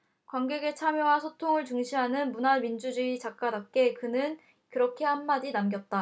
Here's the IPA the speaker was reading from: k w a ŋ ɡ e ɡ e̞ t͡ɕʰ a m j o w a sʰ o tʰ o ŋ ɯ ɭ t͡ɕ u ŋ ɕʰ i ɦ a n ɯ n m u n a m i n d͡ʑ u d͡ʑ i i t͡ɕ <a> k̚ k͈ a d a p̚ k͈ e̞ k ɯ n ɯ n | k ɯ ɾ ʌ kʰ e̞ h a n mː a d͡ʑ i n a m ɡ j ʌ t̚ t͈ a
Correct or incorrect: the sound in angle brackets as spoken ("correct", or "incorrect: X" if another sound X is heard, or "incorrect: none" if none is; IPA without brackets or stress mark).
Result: correct